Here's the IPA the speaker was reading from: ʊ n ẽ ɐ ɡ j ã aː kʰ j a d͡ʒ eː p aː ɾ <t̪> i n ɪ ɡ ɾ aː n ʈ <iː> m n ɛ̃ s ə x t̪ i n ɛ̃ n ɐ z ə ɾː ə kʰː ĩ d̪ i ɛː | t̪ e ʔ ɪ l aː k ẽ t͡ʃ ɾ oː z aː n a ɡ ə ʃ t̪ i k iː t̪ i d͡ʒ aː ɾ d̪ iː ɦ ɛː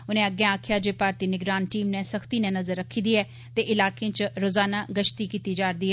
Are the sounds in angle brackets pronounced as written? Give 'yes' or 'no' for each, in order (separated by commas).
yes, yes